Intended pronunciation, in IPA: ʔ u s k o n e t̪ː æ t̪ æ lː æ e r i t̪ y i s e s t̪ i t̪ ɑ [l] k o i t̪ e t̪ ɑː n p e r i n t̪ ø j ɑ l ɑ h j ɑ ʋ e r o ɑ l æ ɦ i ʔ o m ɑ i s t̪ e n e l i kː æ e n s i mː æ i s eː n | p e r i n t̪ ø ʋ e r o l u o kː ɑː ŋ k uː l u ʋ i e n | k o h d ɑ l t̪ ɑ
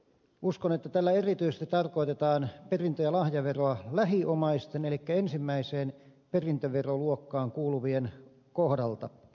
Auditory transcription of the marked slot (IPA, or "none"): r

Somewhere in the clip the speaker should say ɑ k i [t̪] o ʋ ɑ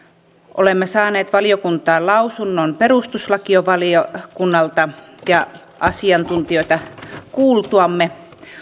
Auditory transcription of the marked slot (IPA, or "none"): none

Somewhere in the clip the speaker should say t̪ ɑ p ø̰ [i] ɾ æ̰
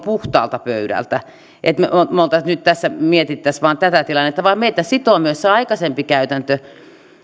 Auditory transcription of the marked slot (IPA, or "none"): y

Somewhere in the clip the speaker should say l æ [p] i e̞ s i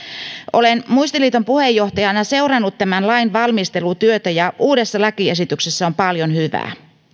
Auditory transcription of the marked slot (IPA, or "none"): k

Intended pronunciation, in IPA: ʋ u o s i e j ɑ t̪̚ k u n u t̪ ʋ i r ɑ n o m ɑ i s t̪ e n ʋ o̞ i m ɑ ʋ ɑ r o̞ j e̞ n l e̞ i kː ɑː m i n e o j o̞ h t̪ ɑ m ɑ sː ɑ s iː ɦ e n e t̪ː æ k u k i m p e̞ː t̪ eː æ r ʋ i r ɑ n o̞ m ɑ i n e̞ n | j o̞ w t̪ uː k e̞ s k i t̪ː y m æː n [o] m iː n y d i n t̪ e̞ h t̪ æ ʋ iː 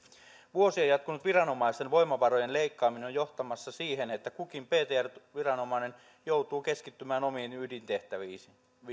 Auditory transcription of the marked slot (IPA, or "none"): o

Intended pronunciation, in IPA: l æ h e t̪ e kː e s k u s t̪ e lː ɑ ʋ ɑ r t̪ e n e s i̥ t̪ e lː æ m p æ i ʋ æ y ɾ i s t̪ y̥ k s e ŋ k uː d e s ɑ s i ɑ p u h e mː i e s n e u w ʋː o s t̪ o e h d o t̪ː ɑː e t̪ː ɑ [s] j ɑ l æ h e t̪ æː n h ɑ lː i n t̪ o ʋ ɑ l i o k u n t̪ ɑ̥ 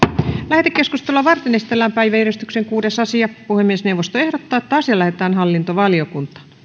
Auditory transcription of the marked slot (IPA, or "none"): s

